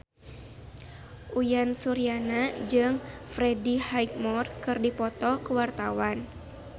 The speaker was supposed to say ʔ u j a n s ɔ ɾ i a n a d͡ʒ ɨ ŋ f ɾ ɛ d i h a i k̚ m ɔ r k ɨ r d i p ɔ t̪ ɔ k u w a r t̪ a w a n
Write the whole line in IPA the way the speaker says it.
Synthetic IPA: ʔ u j a n s u ɾ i a n a d͡ʒ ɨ ŋ f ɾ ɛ d i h a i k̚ m ɔ r k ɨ r d i p ɔ t̪ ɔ k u w a r t̪ a w a n